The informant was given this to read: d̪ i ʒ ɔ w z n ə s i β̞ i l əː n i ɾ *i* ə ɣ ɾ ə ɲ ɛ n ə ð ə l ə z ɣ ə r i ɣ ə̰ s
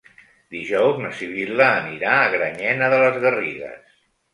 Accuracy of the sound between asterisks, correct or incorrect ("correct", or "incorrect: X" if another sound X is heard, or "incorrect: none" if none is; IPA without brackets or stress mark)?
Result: incorrect: a